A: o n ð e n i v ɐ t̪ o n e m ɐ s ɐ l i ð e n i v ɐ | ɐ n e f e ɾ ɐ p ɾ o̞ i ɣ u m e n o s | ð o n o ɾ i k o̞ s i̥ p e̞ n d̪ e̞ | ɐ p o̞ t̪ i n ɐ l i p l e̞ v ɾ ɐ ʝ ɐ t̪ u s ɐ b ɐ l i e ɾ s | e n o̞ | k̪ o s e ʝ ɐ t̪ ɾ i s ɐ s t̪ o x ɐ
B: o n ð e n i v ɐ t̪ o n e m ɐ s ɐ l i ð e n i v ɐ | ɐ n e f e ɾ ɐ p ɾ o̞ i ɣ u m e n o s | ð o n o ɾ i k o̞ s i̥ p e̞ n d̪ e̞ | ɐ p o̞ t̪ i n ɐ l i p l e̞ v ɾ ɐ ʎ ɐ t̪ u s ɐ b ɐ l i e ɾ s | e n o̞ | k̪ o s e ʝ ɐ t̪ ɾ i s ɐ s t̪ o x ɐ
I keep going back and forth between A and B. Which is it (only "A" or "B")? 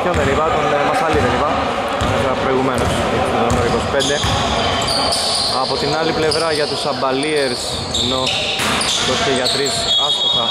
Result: A